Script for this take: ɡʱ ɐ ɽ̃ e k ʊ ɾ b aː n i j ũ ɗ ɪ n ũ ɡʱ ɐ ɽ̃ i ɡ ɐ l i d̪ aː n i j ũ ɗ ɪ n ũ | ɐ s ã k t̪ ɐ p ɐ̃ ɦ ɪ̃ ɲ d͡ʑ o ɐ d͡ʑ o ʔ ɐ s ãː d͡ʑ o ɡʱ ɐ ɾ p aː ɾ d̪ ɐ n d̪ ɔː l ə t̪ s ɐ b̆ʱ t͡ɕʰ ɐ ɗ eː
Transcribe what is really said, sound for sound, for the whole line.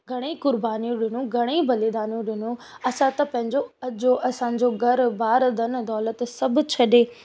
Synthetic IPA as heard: ɡʱ ɐ ɽ̃ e k ʊ ɾ b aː n i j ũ ɗ ɪ n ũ ɡʱ ɐ ɽ̃ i b ɐ l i d̪ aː n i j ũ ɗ ɪ n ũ | ɐ s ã t̪ ɐ p ɐ̃ ɦ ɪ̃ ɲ d͡ʑ o ɐ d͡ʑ o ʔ ɐ s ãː d͡ʑ o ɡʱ ɐ ɾ b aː ɾ d̪ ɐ n d̪ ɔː l ə t̪ s ɐ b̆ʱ t͡ɕʰ ɐ ɗ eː